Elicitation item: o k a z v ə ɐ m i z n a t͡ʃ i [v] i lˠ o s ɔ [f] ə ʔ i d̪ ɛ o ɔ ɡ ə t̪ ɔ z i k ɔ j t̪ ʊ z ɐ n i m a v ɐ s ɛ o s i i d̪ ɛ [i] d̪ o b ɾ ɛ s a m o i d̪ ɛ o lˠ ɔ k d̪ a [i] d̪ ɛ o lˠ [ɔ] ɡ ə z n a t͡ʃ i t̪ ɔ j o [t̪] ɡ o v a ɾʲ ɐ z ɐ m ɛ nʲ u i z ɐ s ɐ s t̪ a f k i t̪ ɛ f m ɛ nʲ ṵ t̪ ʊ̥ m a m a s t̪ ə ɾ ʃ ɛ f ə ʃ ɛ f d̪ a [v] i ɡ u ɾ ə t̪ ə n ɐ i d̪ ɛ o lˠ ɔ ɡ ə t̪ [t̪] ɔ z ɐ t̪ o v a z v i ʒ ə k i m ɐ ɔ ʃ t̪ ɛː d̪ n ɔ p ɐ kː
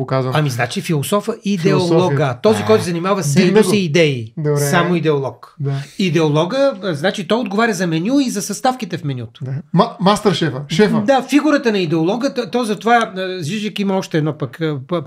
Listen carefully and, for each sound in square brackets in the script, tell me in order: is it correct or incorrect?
incorrect: f, correct, correct, correct, correct, incorrect: d̪, incorrect: f, correct

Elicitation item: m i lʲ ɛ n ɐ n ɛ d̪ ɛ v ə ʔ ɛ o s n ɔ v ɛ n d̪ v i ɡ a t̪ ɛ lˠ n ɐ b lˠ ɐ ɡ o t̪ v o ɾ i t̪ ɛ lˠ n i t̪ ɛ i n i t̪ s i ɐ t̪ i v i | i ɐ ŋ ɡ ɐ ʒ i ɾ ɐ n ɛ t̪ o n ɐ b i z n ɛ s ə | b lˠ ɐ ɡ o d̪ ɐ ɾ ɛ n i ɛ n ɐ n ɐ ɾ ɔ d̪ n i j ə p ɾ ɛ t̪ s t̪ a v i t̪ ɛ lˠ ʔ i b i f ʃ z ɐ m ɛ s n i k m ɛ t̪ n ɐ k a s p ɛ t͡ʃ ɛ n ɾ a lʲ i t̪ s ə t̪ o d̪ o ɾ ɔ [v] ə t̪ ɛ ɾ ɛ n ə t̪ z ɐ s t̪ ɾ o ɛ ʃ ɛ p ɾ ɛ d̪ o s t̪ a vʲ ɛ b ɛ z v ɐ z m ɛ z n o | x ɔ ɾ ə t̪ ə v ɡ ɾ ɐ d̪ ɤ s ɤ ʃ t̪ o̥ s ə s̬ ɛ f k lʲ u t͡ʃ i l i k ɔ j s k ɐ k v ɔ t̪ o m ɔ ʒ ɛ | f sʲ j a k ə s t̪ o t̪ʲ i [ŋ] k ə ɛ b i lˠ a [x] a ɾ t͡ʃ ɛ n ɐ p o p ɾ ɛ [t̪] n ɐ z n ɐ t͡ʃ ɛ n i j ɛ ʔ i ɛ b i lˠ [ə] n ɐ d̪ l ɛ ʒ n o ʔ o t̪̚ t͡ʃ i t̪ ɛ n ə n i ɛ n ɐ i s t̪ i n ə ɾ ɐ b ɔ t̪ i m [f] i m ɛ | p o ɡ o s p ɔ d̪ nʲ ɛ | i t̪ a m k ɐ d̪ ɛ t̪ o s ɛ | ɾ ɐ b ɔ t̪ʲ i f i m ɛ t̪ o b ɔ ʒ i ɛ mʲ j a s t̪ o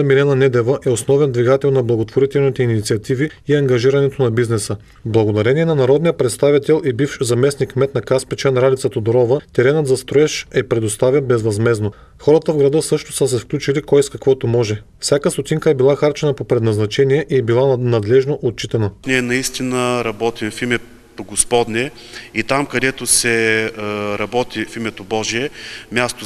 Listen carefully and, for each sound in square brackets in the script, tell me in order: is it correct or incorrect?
correct, correct, correct, incorrect: d̪, incorrect: a, correct

